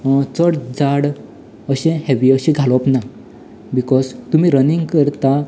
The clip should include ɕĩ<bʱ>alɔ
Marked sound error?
yes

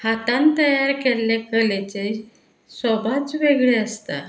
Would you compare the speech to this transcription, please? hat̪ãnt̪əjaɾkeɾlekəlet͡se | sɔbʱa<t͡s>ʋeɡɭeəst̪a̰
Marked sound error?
no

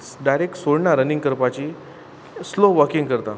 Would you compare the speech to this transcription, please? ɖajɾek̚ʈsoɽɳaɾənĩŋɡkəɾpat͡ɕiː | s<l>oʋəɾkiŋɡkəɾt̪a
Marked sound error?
no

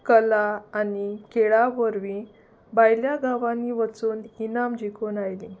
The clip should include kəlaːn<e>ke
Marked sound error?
yes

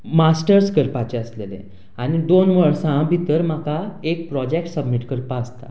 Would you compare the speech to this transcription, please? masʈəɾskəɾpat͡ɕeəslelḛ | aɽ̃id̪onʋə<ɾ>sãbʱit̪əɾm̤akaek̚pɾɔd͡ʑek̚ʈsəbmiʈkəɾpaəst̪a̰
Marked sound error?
yes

